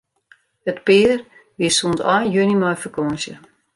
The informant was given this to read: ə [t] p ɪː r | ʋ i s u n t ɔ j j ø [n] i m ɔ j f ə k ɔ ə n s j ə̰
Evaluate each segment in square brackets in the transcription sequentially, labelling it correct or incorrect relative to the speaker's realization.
correct, correct

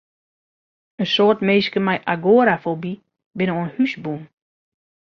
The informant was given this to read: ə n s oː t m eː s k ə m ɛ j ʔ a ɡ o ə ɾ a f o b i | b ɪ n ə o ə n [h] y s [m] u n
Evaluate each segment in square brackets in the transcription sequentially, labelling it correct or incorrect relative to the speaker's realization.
correct, incorrect

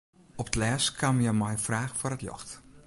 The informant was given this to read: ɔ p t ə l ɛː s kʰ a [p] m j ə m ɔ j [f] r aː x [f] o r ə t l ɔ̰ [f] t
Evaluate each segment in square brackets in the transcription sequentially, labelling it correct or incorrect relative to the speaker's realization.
incorrect, correct, correct, incorrect

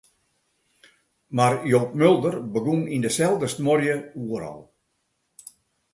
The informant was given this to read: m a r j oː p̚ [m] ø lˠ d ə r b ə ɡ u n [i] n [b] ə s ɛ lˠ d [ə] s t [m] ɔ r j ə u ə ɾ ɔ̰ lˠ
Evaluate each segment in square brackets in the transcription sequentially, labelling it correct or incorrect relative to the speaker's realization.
correct, correct, incorrect, correct, correct

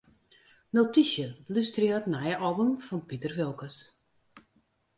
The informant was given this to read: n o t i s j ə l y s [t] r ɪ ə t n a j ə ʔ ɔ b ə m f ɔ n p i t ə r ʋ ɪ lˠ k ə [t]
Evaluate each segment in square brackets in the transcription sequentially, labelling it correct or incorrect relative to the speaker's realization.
correct, incorrect

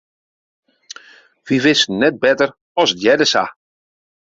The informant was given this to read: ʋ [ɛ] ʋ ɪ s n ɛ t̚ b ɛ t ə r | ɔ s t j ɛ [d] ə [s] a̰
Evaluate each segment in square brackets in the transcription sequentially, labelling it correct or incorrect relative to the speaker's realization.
incorrect, correct, correct

